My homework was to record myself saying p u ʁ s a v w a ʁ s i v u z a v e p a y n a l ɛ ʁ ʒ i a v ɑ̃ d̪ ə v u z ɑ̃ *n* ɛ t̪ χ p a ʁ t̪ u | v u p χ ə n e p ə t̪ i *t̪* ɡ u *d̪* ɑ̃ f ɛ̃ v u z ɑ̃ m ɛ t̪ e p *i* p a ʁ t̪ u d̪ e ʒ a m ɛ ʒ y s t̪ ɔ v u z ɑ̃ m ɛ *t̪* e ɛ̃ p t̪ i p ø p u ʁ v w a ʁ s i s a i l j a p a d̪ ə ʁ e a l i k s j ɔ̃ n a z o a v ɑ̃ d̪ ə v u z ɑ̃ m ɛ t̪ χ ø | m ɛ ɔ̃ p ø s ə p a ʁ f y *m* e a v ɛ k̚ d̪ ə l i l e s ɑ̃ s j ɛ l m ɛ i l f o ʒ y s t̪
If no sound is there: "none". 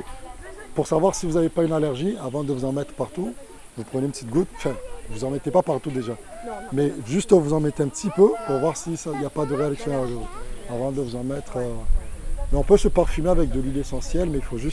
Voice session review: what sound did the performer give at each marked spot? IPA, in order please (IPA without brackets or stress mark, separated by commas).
m, t̪, t̪, a, t̪, m